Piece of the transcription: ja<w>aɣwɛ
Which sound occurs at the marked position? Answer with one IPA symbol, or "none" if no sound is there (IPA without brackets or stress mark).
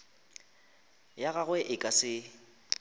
ɣ